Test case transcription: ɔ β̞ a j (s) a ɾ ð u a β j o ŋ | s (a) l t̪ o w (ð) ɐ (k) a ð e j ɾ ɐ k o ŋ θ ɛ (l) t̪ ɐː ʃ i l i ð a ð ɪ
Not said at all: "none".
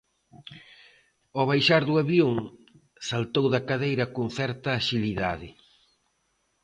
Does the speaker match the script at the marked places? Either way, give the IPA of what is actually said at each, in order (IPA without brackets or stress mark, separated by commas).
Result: ʃ, a, ð, k, ɾ